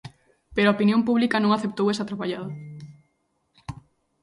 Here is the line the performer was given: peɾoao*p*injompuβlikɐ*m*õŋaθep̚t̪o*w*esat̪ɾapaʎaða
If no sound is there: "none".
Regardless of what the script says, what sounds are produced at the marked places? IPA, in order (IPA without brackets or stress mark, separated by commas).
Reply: p, n, w